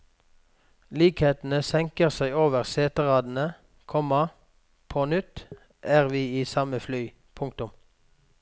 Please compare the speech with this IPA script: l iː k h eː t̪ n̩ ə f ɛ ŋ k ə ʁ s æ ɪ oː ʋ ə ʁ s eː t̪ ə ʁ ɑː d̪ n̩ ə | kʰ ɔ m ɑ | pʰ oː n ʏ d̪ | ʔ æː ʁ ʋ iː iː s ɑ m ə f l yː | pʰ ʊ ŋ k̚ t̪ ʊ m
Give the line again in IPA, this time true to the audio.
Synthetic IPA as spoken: l iː k h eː t̪ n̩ ə s ɛ ŋ k ə ʁ s æ ɪ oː ʋ ə ʁ s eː t̪ ə ʁ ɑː d̪ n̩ ə | kʰ ɔ m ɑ | pʰ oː n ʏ t̪ | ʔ æː ʁ ʋ iː iː s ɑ m ə f l yː | pʰ ʊ ŋ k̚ t̪ ʊ m